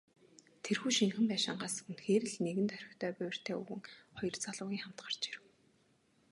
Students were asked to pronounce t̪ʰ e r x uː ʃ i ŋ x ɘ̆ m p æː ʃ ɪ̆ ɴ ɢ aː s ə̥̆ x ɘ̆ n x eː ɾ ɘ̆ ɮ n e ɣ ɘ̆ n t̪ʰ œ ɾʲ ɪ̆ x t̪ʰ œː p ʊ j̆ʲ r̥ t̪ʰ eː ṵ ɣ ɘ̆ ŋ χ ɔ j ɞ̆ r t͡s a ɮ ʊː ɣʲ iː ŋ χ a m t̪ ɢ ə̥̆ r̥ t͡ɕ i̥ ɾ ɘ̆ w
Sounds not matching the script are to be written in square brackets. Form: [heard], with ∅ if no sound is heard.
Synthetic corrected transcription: t̪ʰ e r x uː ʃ i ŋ x ɘ̆ m p æː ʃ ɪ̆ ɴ ɢ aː s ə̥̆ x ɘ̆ n x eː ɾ ɘ̆ ɮ n e ɣ ɘ̆ n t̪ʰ œ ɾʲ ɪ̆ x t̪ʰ œː p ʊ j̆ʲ r̥ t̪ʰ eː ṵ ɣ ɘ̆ ŋ χ ɔ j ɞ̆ r t͡s a ɮ ʊː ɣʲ iː ŋ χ a m t̪ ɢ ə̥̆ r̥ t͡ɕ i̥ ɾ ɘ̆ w